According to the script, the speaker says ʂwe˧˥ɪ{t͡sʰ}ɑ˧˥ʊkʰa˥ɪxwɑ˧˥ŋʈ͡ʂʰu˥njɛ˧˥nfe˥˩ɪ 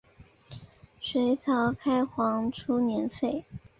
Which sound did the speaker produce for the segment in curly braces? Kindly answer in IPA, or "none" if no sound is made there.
t͡sʰ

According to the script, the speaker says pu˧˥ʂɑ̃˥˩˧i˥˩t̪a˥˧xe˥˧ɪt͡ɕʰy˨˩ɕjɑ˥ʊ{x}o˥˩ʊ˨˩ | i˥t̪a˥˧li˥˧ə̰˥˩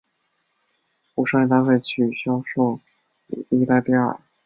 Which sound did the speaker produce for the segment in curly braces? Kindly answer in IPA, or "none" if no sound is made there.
ʂ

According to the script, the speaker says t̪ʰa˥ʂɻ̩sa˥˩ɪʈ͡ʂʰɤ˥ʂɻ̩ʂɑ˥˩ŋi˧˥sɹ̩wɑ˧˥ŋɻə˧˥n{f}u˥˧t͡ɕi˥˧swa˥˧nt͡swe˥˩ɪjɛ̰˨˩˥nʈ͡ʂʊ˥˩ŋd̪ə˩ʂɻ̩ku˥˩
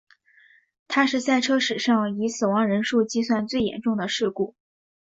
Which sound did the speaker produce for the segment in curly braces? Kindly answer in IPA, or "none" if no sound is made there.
ʂ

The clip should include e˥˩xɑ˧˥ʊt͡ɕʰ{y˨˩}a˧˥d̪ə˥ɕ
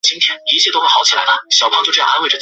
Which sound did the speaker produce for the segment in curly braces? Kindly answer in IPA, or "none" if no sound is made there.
i˨˩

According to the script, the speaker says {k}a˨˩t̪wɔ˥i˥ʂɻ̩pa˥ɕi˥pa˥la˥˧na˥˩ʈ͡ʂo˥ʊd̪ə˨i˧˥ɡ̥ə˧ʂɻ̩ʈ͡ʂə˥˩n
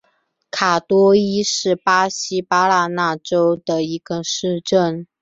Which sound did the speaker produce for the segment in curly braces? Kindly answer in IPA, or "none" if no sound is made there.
kʰ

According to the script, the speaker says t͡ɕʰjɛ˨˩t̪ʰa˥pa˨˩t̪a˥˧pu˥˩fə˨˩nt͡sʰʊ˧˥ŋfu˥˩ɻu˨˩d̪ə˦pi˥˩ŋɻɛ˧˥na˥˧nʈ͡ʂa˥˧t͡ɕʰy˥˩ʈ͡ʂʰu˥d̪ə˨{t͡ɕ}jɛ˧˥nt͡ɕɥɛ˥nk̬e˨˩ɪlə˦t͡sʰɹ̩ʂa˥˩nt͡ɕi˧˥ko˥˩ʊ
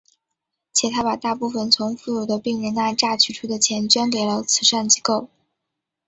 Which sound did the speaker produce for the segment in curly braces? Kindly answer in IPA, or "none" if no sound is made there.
t͡ɕʰ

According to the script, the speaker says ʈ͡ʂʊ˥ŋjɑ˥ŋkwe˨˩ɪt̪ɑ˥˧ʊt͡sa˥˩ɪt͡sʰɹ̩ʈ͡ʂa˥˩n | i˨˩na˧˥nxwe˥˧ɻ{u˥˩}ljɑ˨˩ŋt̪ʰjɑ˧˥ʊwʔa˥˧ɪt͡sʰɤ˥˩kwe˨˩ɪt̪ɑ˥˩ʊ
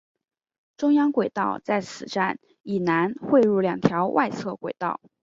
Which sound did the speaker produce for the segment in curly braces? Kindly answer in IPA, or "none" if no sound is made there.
u˥˩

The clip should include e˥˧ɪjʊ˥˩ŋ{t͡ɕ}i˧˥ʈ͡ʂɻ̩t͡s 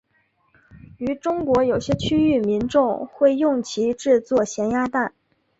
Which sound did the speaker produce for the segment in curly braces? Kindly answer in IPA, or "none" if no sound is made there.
t͡ɕʰ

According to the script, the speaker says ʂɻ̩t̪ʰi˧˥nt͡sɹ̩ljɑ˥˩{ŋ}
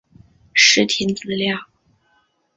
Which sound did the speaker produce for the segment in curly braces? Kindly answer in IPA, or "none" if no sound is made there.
ŋ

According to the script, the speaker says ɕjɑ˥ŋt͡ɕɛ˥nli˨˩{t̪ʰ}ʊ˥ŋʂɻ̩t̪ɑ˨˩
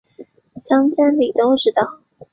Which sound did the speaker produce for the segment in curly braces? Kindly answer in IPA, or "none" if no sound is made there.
t̪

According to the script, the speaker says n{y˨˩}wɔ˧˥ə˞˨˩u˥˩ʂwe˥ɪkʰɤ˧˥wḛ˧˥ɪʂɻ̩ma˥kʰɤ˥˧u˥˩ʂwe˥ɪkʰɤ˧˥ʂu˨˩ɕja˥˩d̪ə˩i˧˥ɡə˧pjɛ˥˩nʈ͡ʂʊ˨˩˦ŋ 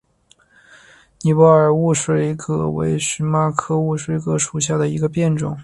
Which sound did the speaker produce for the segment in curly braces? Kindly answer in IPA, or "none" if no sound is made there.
i˨˩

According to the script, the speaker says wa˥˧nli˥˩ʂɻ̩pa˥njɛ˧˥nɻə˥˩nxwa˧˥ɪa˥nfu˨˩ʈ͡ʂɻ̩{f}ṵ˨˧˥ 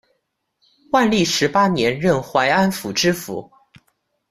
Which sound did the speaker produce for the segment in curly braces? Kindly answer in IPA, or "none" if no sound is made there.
f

